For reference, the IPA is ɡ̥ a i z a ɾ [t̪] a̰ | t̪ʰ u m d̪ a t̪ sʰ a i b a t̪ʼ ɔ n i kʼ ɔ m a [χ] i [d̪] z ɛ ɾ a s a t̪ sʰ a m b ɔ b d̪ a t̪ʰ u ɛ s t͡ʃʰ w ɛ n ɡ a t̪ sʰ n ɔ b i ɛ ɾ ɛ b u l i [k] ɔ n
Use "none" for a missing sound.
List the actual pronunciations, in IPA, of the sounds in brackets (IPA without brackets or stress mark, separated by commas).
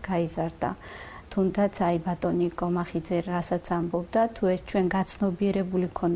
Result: d̪, χ, d̪, kʰ